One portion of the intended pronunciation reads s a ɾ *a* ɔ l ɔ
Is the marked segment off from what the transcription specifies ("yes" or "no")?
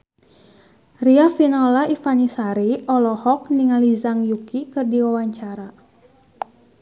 yes